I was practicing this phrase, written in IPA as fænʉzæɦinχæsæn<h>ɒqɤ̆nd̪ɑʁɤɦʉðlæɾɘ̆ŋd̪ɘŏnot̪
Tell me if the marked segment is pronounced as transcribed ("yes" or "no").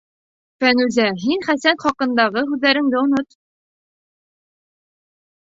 no